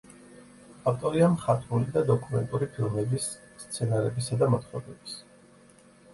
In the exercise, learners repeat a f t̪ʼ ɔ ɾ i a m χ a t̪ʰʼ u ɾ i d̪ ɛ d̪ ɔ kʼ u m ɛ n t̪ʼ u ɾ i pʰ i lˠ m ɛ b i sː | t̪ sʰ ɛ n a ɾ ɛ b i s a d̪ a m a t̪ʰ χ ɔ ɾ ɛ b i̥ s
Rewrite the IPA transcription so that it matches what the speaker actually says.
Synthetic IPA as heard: a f t̪ʼ ɔ ɾ i a m χ a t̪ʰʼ u l i d̪ a d̪ ɔ kʼ u m ɛ n t̪ʼ u ɾ i pʰ i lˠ m ɛ b i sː | t̪ sʰ ɛ n a ɾ ɛ b i s a d̪ a m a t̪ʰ χ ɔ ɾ ɛ b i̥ s